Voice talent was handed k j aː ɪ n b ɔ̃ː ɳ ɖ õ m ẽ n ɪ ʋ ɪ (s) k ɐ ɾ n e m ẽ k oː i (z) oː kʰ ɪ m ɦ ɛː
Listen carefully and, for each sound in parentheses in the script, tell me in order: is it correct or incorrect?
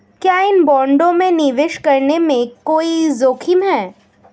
incorrect, correct

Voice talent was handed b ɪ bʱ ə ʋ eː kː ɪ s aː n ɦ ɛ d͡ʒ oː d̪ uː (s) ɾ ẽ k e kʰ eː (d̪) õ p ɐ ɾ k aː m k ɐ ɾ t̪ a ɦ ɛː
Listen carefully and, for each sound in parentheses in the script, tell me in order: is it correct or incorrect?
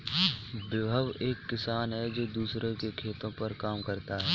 correct, incorrect

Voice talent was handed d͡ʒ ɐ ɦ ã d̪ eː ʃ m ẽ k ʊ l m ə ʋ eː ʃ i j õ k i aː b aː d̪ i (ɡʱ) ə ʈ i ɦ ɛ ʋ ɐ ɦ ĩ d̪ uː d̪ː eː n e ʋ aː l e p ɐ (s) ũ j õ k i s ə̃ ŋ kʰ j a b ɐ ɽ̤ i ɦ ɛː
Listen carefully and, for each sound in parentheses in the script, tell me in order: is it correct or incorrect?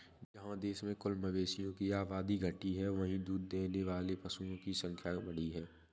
correct, correct

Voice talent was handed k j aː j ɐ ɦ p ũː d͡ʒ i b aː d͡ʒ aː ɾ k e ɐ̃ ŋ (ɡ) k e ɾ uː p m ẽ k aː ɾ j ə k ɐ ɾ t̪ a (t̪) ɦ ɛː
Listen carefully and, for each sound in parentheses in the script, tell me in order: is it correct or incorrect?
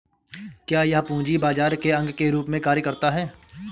correct, incorrect

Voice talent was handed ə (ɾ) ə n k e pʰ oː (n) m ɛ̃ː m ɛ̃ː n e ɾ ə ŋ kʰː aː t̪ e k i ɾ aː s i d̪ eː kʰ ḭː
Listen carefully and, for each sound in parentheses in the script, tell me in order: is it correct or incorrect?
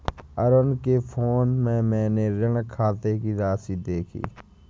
correct, correct

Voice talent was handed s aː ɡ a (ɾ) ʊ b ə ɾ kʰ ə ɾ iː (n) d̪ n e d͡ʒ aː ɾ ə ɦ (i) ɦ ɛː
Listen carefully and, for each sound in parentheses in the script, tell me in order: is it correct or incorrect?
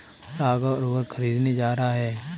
correct, incorrect, incorrect

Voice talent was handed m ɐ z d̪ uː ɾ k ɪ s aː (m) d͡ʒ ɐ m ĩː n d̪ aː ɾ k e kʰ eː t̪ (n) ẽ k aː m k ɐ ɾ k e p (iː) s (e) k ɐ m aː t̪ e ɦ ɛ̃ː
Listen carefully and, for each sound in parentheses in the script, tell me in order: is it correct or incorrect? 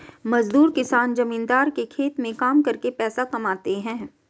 incorrect, incorrect, incorrect, incorrect

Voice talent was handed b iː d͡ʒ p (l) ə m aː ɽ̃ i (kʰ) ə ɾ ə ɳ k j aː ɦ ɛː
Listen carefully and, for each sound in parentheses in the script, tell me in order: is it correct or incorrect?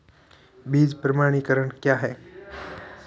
incorrect, incorrect

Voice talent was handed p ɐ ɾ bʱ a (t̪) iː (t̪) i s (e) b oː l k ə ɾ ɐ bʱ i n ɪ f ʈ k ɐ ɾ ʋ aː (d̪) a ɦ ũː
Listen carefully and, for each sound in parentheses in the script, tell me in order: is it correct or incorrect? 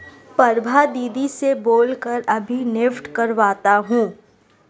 incorrect, incorrect, correct, incorrect

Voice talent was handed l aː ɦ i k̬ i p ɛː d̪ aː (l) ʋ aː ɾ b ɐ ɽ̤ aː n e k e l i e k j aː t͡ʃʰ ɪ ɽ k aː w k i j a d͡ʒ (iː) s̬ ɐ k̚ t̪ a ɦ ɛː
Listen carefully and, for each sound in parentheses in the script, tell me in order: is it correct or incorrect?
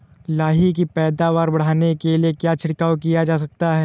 incorrect, incorrect

